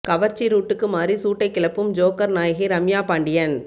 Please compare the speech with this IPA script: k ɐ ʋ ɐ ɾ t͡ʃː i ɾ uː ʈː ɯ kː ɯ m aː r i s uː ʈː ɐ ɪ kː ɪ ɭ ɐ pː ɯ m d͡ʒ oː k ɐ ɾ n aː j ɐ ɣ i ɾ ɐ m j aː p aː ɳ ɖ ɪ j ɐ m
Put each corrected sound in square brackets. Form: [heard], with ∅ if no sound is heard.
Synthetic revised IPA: k ɐ ʋ ɐ ɾ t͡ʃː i ɾ uː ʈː ɯ kː ɯ m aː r i s uː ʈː ɐ ɪ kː ɪ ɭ ɐ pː ɯ m d͡ʒ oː k ɐ ɾ n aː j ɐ ɣ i ɾ ɐ m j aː p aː ɳ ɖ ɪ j ɐ [n]